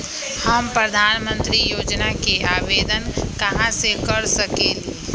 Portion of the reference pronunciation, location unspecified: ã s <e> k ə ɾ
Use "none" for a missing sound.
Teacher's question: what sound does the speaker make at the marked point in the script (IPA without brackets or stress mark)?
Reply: e